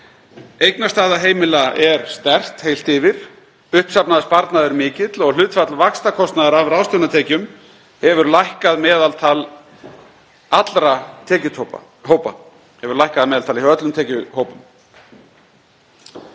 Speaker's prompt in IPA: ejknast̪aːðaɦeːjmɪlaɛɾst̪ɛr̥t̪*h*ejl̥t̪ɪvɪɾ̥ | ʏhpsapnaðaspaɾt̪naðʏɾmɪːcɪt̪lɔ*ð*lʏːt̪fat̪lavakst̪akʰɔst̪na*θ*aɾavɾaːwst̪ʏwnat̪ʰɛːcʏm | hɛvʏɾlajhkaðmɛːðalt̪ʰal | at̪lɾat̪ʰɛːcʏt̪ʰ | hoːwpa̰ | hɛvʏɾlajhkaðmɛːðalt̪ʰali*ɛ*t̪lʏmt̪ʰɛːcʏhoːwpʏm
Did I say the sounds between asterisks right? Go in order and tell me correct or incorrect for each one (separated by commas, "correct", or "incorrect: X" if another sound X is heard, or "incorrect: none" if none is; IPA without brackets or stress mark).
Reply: correct, incorrect: ɣ, incorrect: ð, incorrect: œ